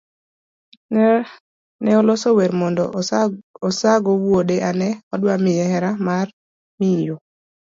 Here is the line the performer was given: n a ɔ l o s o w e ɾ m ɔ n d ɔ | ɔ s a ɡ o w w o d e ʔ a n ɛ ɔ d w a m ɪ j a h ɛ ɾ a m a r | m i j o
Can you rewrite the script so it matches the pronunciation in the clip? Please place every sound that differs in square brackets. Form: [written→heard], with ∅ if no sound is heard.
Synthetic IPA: n [a→ɛ] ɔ l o s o w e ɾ m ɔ n d ɔ | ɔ s a ɡ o w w o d e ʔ a n ɛ ɔ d w a m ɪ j [a→ɛ] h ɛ ɾ a m a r | m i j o